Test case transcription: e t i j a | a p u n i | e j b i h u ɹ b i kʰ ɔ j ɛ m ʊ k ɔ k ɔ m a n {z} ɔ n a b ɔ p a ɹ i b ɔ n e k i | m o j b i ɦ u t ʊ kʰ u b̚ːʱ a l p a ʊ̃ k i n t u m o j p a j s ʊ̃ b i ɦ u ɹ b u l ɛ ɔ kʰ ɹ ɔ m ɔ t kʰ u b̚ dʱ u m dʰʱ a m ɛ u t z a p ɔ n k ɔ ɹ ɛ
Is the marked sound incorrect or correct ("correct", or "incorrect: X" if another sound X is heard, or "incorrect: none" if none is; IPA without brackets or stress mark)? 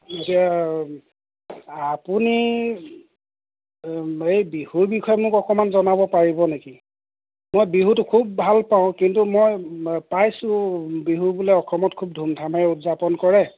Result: correct